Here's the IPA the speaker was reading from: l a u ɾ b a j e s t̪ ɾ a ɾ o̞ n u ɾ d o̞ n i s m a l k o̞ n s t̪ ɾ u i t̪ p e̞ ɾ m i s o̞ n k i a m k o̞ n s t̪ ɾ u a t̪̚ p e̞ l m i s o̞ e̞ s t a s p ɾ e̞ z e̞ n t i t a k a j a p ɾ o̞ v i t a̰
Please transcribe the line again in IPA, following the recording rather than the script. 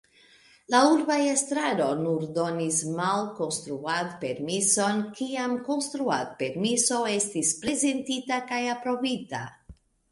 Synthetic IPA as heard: l a u ɾ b a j e s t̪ ɾ a ɾ o̞ n u ɾ d o̞ n i s m a l k o̞ n s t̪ ɾ u a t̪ p e̞ ɾ m i s o̞ n k i a m k o̞ n s t̪ ɾ u a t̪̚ p e̞ ɾ m i s o̞ e̞ s t i s p ɾ e̞ z e̞ n t i t a k a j a p ɾ o̞ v i t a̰